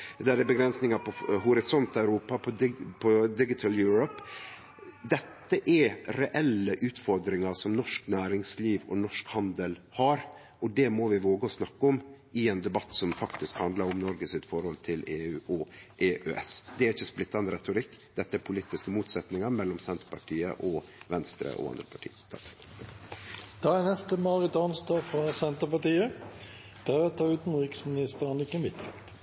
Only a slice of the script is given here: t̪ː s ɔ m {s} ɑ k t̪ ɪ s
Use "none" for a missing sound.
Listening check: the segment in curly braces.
f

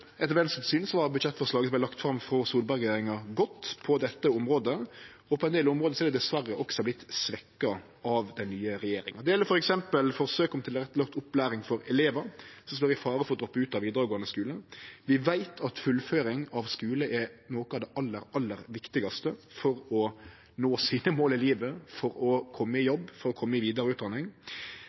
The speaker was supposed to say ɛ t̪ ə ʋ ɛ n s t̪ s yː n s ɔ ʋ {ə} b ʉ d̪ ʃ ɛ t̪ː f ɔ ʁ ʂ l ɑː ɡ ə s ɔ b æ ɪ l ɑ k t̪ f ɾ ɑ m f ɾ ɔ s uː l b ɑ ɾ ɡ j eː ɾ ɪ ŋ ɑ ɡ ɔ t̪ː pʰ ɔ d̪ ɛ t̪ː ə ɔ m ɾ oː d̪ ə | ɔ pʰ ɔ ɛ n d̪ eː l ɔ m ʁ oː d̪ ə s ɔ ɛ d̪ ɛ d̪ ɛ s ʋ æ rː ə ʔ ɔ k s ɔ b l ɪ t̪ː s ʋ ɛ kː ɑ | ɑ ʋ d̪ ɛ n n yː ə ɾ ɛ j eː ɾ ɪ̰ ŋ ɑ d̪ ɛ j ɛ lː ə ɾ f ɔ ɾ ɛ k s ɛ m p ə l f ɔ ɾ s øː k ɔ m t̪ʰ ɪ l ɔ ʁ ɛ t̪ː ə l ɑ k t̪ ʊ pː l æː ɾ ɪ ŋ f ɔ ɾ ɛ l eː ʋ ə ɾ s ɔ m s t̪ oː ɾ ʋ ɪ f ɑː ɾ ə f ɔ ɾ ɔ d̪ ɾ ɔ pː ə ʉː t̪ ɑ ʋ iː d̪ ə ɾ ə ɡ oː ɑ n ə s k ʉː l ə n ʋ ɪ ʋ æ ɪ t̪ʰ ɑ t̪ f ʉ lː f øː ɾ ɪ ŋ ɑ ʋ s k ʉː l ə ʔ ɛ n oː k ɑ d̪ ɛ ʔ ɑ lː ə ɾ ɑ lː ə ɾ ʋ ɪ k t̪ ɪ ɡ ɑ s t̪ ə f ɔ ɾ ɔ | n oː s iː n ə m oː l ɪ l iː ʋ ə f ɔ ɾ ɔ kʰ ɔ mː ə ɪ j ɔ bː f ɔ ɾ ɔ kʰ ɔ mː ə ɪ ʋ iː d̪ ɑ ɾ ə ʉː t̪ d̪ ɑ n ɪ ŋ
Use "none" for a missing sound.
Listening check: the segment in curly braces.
ɑ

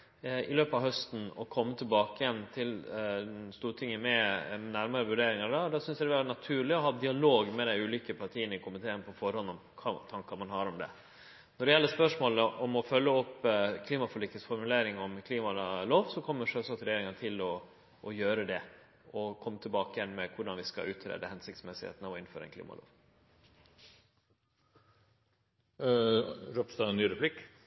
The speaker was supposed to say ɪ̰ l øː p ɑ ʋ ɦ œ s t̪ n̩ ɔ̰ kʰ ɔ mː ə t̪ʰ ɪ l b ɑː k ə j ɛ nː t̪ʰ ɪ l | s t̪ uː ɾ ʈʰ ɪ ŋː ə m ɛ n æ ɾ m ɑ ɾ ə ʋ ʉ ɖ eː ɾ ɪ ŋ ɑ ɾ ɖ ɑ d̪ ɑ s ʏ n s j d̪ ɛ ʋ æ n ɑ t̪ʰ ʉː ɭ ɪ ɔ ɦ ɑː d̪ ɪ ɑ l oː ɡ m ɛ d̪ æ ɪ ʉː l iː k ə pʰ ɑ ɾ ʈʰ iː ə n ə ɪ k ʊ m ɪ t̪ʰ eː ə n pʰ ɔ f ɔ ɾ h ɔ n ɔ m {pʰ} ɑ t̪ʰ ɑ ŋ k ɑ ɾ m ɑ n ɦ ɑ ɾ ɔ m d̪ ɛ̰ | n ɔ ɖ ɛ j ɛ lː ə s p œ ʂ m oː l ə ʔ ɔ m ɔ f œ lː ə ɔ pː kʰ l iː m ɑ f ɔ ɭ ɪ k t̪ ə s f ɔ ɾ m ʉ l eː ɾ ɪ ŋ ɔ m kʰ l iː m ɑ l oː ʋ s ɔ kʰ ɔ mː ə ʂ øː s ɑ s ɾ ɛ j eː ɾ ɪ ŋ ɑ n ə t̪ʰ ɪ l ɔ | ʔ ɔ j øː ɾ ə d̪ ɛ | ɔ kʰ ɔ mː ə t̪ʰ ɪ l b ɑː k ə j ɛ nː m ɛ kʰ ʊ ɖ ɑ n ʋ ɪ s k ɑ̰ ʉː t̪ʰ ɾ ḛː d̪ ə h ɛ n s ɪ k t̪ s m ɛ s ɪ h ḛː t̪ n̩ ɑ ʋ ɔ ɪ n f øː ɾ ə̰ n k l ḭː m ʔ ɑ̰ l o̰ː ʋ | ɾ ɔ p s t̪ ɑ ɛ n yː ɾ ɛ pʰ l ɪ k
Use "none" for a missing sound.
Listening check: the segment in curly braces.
kʰ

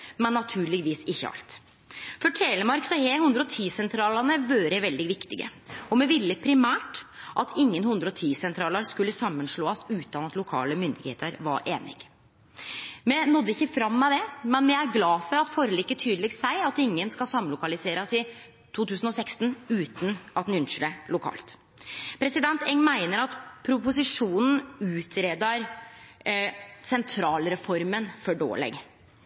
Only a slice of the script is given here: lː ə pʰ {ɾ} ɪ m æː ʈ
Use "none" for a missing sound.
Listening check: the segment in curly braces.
ɾ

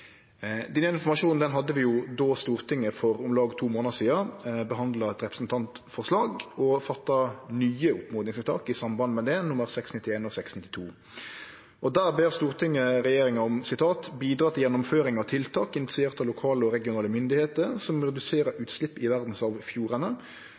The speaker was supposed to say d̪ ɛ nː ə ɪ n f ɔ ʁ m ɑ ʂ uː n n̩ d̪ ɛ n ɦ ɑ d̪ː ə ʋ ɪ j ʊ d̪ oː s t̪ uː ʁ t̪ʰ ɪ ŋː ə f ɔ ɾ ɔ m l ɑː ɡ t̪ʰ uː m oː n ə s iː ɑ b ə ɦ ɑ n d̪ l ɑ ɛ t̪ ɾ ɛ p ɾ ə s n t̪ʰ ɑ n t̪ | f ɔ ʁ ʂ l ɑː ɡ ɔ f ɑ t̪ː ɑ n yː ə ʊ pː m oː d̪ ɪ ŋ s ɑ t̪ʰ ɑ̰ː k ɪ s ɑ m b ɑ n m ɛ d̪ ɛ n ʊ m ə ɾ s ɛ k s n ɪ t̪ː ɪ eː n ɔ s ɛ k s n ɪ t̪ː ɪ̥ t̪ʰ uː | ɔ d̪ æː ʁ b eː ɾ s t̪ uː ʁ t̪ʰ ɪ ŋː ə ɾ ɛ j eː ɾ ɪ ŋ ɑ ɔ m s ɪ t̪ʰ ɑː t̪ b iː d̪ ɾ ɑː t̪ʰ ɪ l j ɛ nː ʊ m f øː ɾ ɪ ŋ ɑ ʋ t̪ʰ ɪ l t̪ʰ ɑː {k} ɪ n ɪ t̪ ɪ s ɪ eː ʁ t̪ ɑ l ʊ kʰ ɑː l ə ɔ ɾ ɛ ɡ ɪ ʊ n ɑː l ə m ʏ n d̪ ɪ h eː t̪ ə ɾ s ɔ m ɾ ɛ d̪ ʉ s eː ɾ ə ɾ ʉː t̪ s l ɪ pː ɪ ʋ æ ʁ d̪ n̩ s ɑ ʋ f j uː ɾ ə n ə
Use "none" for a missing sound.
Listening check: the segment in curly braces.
k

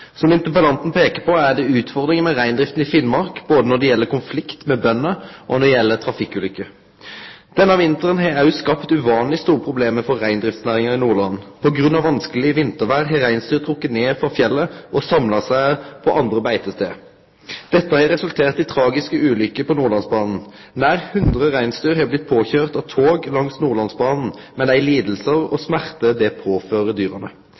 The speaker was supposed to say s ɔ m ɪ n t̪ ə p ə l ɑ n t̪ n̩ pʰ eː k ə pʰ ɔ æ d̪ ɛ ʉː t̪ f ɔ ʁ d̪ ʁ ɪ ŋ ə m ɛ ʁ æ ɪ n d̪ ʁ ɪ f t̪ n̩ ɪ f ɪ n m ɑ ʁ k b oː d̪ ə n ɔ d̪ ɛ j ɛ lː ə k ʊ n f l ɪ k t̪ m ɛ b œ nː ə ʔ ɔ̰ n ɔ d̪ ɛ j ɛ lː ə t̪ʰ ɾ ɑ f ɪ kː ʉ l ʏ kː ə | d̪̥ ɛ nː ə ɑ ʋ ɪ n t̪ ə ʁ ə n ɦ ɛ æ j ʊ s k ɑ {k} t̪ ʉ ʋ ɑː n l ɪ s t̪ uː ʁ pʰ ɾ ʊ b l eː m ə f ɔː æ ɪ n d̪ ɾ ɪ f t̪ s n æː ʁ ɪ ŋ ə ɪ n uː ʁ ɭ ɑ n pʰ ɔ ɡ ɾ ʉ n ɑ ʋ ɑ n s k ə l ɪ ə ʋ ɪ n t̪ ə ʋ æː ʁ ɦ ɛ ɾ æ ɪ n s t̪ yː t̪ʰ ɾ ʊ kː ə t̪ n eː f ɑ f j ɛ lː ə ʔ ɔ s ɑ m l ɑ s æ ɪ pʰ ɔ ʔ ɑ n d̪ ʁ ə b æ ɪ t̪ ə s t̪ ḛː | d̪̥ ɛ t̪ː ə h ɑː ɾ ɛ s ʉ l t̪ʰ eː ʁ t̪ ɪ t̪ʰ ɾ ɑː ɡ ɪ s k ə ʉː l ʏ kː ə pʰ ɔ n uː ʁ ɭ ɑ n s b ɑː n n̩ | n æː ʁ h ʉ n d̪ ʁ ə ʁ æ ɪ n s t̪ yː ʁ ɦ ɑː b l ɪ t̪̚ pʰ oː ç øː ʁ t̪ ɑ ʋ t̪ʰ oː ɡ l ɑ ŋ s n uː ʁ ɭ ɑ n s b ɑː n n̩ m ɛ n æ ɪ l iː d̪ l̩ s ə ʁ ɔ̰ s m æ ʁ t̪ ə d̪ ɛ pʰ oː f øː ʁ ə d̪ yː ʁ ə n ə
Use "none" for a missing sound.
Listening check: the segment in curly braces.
p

